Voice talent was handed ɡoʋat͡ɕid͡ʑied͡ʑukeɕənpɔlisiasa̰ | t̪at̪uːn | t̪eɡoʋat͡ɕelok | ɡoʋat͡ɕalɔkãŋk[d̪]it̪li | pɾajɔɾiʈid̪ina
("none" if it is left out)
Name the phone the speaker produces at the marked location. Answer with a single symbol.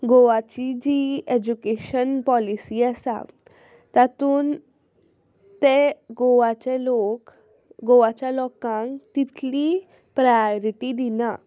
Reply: t̪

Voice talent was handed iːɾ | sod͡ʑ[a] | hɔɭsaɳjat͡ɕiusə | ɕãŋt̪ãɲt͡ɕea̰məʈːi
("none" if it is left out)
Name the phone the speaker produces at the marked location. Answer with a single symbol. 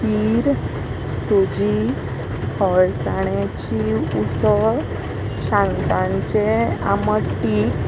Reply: i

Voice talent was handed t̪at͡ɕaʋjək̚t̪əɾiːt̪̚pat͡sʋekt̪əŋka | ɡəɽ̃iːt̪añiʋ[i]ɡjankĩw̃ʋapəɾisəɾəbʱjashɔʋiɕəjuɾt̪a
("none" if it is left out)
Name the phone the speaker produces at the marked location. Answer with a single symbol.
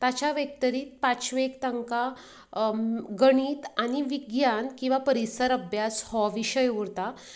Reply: i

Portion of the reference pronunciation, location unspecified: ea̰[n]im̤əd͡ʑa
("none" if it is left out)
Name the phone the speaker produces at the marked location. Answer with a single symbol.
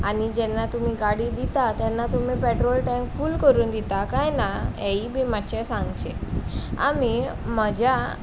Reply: m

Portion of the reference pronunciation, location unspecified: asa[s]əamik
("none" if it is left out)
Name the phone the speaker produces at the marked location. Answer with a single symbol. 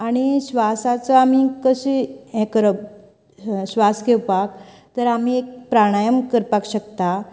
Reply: t͡s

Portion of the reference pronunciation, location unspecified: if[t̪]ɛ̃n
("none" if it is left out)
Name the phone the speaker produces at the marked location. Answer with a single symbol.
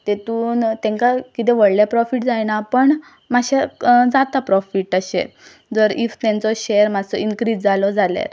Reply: t̪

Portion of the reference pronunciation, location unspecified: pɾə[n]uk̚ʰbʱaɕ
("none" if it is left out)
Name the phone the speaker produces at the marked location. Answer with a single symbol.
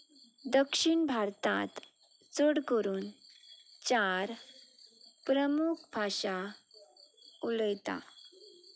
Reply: m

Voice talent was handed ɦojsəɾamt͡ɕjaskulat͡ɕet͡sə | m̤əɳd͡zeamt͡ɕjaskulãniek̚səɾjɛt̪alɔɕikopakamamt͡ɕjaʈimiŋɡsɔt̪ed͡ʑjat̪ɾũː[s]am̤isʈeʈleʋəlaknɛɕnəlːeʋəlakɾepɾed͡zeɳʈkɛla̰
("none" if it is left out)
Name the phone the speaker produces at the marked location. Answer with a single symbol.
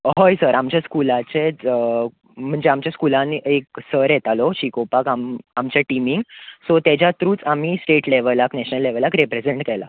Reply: t͡s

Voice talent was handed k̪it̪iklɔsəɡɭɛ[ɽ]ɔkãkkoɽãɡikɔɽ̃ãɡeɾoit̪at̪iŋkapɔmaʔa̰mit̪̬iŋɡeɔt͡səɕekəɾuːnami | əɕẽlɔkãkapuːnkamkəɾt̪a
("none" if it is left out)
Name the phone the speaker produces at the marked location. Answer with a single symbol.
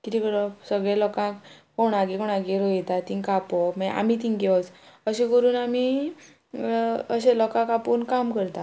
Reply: l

